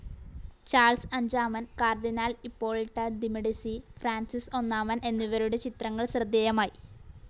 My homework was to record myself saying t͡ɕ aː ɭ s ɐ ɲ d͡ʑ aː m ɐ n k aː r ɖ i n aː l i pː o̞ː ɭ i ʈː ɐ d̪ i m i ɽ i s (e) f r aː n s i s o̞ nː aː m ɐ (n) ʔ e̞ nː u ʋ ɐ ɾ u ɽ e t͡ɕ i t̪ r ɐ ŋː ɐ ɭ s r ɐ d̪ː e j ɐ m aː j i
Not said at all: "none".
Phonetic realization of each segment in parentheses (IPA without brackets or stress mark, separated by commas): i, n